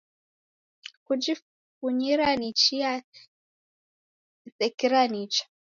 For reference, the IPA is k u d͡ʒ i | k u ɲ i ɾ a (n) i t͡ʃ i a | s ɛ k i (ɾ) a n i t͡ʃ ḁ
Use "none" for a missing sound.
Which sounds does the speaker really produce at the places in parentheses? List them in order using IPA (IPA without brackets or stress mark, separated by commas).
n, ɾ